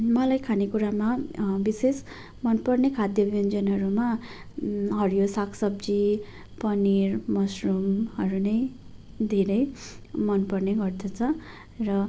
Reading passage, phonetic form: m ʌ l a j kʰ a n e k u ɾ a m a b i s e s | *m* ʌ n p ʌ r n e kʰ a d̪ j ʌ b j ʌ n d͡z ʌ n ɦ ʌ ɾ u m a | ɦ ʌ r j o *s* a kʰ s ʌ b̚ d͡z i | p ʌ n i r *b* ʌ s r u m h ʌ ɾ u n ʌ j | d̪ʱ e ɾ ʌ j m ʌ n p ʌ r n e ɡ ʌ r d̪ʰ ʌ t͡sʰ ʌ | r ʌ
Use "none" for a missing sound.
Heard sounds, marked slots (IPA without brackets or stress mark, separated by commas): m, s, m